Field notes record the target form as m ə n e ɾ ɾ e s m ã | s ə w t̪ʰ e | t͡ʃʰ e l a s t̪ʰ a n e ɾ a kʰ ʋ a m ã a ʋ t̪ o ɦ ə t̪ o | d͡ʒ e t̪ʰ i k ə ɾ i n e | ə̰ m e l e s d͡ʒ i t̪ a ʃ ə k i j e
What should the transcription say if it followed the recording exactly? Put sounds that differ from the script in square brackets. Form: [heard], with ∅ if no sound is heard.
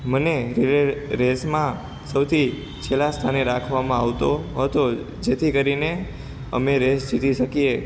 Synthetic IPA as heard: m ə n e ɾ ɾ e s m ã | s ə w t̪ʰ [i] | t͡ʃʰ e l a s t̪ʰ a n e ɾ a kʰ ʋ a m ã a ʋ t̪ o ɦ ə t̪ o | d͡ʒ e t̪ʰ i k ə ɾ i n e | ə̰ m e [ɾ] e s d͡ʒ i t̪ [i] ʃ ə k i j e